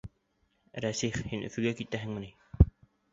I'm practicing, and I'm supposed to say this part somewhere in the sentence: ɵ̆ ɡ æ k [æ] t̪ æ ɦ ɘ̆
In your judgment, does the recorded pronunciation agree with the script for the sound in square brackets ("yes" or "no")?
no